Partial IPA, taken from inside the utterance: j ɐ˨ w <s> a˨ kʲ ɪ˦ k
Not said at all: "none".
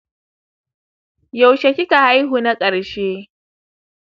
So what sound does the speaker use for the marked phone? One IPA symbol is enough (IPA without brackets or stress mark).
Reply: ʃ